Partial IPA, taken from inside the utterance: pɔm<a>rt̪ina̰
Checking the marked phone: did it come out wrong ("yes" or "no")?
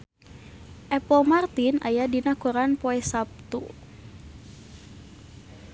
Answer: no